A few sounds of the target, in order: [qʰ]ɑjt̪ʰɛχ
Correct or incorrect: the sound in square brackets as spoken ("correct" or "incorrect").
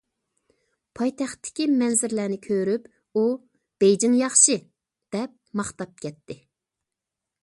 incorrect